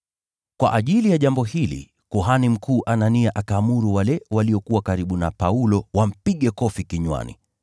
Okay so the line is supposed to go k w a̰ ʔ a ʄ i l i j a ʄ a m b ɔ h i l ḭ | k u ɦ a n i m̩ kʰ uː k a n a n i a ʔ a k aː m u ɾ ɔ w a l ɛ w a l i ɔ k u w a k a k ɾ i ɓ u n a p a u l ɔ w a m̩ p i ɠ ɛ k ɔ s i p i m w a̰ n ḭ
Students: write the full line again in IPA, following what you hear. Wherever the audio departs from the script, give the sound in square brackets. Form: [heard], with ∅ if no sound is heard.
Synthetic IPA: k w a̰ ʔ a ʄ i l i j a ʄ a m b ɔ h i l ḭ | k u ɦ a n i m̩ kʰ uː [ʔ] a n a n i a ʔ a k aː m u ɾ [u] w a l ɛ w a l i ɔ k u w a k a [∅] ɾ i ɓ u n a p a u l ɔ w a m̩ p i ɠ ɛ k ɔ [f] i [k] i [ɲ] w a̰ n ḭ